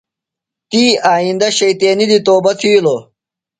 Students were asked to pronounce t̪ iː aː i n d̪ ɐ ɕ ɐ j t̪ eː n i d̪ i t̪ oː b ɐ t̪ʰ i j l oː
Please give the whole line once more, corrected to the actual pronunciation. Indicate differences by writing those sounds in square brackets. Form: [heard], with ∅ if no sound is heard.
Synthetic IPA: t̪ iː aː i n d̪ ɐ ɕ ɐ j t̪ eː n i d̪ i t̪ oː b ɐ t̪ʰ i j l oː